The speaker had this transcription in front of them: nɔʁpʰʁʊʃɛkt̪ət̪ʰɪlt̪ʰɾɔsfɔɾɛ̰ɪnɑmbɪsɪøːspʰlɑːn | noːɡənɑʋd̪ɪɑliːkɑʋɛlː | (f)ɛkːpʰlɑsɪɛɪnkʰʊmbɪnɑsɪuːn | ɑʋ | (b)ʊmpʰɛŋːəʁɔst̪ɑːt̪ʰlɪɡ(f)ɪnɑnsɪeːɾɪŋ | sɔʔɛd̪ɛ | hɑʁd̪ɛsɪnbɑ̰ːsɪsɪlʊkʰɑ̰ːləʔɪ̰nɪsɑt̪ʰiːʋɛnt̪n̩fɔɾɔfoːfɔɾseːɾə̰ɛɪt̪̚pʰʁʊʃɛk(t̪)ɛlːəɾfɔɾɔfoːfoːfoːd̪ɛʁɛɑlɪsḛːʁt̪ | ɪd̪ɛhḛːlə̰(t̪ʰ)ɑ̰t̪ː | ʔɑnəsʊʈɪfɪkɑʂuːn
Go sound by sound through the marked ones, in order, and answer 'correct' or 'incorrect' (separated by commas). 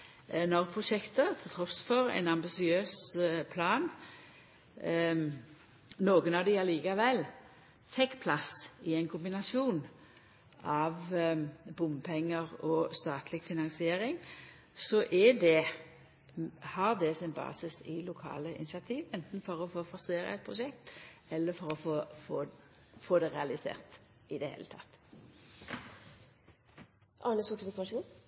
correct, correct, correct, correct, correct